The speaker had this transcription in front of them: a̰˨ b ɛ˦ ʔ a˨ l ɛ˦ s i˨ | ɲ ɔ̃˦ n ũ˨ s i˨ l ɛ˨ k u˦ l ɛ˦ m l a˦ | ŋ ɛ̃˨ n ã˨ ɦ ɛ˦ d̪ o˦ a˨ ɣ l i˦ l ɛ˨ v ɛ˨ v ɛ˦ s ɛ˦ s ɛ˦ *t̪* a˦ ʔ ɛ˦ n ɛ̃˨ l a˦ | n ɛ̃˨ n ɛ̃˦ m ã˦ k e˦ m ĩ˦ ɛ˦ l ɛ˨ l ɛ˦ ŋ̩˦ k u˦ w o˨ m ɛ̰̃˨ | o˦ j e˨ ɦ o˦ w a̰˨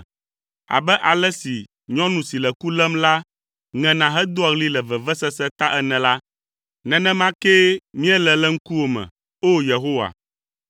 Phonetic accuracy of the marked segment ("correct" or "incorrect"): correct